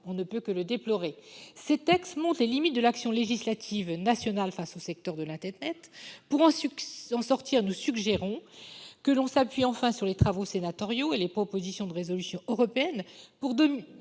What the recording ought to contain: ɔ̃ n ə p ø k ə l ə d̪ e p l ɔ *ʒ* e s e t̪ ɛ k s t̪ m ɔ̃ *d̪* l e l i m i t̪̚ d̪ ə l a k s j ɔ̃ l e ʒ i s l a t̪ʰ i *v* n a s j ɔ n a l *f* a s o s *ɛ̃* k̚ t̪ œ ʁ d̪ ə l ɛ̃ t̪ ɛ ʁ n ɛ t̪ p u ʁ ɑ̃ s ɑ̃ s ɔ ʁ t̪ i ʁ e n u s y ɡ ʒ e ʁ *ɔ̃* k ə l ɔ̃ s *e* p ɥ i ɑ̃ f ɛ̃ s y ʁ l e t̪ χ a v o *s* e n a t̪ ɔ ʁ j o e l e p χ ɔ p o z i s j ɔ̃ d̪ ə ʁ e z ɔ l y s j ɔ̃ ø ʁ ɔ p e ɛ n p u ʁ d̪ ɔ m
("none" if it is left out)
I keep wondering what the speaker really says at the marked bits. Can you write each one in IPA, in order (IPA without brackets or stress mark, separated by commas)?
ʁ, t̪, v, f, ɛ, ɔ̃, a, s